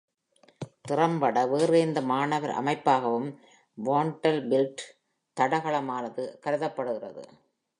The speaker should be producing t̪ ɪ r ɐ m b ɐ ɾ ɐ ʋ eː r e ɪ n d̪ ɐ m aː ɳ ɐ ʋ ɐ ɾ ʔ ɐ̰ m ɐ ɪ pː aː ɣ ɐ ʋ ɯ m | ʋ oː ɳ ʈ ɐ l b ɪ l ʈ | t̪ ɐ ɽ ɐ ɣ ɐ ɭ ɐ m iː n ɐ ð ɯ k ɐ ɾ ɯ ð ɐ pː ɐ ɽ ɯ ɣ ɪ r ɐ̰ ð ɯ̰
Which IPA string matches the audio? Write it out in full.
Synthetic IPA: t̪ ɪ r ɐ m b ɐ ɽ ɐ ʋ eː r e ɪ n d̪ ɐ m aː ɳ ɐ ʋ ɐ ɾ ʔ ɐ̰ m ɐ ɪ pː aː ɣ ɐ ʋ ɯ m | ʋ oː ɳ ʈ ɐ l b ɪ l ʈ | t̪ ɐ ɽ ɐ ɣ ɐ ɭ ɐ m aː n ɐ ð ɯ k ɐ ɾ ɯ ð ɐ pː ɐ ɽ ɯ ɣ ɪ r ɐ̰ ð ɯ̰